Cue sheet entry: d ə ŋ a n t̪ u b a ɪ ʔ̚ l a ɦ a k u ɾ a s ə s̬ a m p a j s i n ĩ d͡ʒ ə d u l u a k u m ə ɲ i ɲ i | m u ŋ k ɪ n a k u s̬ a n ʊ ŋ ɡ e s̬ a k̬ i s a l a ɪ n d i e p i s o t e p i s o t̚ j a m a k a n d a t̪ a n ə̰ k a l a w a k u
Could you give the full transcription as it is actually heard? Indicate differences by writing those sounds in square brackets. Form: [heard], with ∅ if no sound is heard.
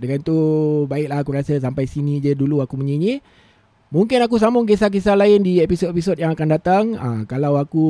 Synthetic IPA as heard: d ə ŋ a n t̪ u b a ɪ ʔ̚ l a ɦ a k u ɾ a s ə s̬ a m p a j s i n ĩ d͡ʒ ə d u l u a k u m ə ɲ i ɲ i | m u ŋ k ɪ n a k u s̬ a [m] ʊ ŋ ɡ e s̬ a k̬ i s a l a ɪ n d i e p i s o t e p i s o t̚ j a [ŋ] a k a n d a t̪ a [ŋ] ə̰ k a l a w a k u